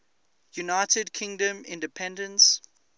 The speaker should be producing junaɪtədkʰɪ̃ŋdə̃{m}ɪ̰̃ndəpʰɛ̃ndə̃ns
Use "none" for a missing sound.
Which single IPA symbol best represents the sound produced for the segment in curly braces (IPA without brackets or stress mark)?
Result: m